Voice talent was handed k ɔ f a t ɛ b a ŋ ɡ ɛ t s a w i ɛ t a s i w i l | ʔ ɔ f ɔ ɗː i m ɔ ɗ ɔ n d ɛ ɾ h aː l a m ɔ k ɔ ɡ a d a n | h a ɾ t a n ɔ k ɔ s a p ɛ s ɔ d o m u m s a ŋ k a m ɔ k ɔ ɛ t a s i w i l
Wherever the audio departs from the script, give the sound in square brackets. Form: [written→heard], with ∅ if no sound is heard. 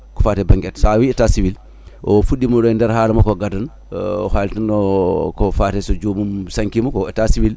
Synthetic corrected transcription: k ɔ f a t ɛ b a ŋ ɡ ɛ t s a w i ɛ t a s i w i l | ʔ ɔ f [ɔ→u] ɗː i m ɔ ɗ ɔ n d ɛ ɾ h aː l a m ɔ k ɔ ɡ a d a n | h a [ɾ→l] t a n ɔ k ɔ [s→f] a [p→t] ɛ s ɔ [d→d͡ʒ] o m u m s a ŋ k [a→i] m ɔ k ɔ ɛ t a s i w i l